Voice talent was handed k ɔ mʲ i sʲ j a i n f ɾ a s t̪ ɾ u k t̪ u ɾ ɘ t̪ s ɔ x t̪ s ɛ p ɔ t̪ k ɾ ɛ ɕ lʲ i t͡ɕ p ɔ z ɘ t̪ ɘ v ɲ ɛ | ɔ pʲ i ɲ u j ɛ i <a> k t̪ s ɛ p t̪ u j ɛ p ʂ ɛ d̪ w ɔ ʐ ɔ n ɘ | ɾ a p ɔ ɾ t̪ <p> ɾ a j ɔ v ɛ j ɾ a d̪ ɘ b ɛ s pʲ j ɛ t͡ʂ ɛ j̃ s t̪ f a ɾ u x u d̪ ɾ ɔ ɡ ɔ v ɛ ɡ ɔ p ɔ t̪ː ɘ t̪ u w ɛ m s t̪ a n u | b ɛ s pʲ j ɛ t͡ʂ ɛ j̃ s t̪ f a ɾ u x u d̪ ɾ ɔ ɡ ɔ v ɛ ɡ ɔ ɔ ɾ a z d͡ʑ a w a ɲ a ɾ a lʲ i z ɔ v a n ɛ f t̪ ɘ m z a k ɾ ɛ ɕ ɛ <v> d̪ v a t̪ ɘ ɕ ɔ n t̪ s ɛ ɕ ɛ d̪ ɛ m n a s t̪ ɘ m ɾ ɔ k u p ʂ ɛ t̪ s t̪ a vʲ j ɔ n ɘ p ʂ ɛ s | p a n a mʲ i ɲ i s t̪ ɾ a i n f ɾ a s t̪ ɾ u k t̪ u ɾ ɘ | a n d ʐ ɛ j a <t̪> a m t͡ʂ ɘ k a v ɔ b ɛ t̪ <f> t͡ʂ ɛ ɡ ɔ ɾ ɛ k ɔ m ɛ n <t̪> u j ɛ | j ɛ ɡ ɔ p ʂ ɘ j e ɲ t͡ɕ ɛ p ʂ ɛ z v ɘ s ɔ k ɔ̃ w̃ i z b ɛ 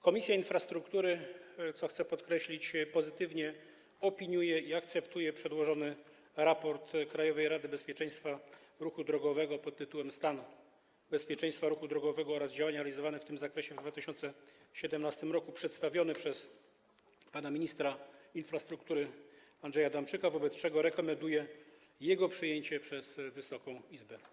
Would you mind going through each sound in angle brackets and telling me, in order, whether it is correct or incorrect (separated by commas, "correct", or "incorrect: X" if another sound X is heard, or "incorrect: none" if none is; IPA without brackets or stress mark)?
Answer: correct, incorrect: k, correct, incorrect: d̪, incorrect: s, incorrect: d̪